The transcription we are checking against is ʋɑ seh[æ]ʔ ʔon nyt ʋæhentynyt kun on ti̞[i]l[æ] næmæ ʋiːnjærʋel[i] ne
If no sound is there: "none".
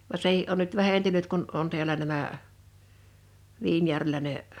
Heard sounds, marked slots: i, æ, æ, æ

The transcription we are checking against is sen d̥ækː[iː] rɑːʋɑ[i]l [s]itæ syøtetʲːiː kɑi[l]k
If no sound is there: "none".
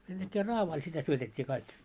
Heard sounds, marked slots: eː, i, s, none

